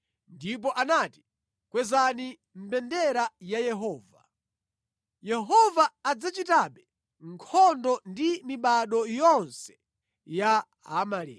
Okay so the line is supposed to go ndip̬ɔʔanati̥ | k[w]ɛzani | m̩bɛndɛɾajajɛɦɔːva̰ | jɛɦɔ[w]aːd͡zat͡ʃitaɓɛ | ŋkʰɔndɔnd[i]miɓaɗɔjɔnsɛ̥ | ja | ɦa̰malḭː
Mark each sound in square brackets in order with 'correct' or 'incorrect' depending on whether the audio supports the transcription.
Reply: correct, incorrect: v, correct

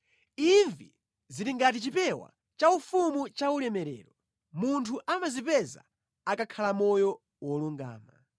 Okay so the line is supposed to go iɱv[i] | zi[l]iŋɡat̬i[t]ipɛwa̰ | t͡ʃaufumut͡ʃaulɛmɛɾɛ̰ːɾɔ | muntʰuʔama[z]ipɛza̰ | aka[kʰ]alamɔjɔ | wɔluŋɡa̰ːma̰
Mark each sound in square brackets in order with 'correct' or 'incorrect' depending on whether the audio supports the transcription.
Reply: correct, incorrect: ɾ, incorrect: t͡ʃ, correct, correct

